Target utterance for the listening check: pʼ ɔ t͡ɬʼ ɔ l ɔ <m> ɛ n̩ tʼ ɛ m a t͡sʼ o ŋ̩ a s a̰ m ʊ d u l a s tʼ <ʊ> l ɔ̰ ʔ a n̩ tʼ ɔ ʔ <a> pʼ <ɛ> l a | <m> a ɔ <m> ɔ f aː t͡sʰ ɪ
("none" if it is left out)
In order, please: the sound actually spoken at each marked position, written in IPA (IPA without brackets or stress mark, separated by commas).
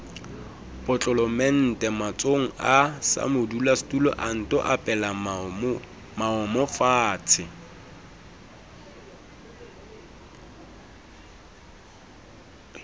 m, u, a, ɛ, m, m